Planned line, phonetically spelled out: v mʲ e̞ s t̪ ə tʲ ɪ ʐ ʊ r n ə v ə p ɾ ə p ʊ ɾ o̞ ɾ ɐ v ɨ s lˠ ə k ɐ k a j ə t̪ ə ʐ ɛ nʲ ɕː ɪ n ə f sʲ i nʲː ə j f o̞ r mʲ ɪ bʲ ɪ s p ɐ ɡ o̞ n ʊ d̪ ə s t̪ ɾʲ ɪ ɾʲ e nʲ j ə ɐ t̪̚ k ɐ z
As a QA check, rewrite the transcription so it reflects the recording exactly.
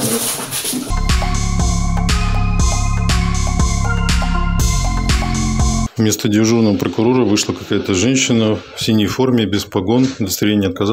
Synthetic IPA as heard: v mʲ e̞ s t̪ ə dʲ ɪ ʐ u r n ə v ə p ɾ ə k ʊ ɾ o̞ ɾ ə v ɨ ʂ lˠ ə k ɐ k a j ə t̪ ə ʐ ɛ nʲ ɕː ɪ n ə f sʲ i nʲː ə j f o̞ r mʲ ɪ bʲ ɪ s p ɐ ɡ o̞ n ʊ d̪ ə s t̪ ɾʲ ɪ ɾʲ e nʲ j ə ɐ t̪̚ k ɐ z